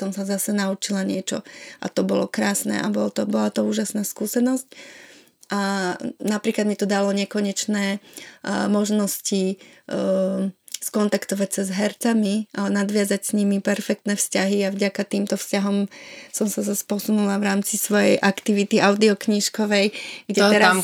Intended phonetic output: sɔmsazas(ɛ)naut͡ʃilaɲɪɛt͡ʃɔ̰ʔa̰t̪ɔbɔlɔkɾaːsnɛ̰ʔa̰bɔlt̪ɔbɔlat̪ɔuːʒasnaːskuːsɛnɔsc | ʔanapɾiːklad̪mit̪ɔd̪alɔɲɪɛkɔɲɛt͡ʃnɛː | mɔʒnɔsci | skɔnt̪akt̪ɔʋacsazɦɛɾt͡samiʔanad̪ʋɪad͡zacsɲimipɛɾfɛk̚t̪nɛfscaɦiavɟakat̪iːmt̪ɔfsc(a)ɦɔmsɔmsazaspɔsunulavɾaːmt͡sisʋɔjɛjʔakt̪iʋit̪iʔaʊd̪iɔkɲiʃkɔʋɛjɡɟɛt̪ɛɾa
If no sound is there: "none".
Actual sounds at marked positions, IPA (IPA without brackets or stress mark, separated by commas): ɛ, a